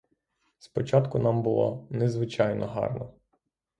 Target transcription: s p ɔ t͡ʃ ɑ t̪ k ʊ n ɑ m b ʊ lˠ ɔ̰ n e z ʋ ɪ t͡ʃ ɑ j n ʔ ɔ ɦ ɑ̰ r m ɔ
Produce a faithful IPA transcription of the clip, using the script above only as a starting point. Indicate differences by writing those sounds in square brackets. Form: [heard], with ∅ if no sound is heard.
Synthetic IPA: s p ɔ t͡ʃ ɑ t̪ k ʊ n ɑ m b ʊ lˠ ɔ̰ n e z ʋ ɪ t͡ʃ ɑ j n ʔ ɔ ɦ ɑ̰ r [n] ɔ